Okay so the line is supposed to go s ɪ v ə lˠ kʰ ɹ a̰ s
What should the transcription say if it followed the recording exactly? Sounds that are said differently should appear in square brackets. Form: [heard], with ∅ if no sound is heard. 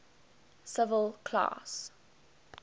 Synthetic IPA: s ɪ v ə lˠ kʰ [l] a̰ s